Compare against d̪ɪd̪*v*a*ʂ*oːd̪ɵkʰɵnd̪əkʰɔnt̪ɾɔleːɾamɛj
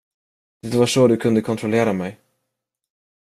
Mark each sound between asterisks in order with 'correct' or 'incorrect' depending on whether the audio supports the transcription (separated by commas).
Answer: correct, correct